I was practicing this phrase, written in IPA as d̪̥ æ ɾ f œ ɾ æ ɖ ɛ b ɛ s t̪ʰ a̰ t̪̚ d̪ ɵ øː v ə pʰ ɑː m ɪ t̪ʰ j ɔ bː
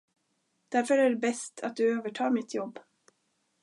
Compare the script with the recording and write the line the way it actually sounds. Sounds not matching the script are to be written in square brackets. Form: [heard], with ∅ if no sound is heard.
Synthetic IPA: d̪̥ æ ɾ f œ ɾ æ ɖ ɛ b ɛ s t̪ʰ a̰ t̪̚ d̪ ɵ øː v ə [ʈʰ] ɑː m ɪ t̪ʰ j ɔ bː